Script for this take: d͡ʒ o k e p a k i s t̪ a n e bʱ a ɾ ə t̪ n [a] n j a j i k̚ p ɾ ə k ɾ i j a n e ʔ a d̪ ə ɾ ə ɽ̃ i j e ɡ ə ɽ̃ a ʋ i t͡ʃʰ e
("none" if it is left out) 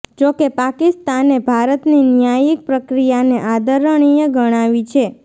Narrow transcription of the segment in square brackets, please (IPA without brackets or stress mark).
i